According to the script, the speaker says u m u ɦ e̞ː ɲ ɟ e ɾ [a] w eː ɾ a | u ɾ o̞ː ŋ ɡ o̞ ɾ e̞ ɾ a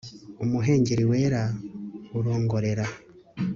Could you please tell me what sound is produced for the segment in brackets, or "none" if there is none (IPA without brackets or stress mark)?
i